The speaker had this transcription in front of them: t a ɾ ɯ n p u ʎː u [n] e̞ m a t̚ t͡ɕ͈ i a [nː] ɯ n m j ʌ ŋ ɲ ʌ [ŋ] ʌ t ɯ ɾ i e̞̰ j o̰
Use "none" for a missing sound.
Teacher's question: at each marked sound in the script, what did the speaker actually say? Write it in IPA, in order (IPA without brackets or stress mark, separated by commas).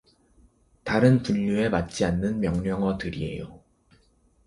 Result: none, nː, ŋ